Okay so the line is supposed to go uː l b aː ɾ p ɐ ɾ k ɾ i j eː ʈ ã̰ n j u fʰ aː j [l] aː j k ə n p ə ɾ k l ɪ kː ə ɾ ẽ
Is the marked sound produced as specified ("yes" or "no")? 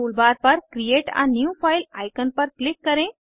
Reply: yes